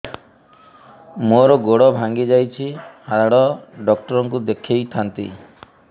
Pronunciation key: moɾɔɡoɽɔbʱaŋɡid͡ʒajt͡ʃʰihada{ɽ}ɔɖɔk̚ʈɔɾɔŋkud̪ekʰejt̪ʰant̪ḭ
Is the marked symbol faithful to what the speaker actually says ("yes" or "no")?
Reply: yes